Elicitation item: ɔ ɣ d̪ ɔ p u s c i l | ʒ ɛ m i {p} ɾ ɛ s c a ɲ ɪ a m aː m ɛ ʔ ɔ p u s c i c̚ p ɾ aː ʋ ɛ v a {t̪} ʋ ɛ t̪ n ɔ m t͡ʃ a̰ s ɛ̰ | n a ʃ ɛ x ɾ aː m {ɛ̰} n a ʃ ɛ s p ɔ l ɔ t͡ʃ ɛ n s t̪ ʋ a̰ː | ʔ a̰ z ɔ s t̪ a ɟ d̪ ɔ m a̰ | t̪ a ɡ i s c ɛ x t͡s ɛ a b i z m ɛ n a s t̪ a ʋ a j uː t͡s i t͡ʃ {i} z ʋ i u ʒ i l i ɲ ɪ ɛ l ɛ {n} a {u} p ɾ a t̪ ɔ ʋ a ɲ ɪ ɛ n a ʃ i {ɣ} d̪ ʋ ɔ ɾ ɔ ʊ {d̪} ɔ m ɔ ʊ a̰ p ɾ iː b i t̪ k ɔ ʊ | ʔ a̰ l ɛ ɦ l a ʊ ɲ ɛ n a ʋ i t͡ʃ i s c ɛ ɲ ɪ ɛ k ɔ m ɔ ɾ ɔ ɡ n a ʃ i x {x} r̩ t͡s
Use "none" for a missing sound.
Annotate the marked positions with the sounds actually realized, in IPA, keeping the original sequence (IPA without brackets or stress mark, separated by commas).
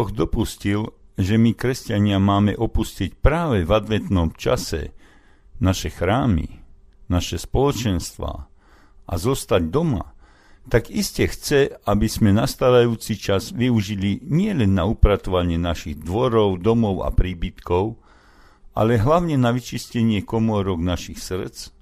k, d̪, ḭ, a, nː, u, ɣ, d̪, s